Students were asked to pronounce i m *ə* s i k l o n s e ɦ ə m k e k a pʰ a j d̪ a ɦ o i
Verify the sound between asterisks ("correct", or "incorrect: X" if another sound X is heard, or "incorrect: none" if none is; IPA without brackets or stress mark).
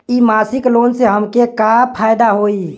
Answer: incorrect: a